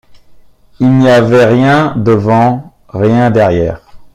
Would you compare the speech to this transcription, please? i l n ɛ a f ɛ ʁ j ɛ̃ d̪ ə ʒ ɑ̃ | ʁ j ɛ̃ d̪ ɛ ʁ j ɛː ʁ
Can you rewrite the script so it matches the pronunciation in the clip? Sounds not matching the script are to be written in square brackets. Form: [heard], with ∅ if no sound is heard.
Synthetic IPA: i l n [i] a [v] ɛ ʁ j ɛ̃ d̪ ə [v] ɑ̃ | ʁ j ɛ̃ d̪ ɛ ʁ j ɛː ʁ